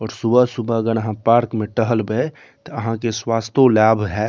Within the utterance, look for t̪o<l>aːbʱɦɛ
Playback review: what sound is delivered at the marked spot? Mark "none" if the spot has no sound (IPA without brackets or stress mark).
l